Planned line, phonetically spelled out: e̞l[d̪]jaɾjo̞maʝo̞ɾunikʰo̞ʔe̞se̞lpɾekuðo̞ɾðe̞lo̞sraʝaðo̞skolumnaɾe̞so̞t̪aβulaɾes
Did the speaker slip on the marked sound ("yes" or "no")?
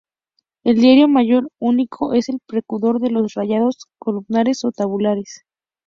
no